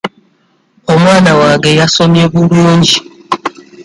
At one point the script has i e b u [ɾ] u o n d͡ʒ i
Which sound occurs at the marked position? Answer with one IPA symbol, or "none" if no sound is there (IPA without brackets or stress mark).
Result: ɾ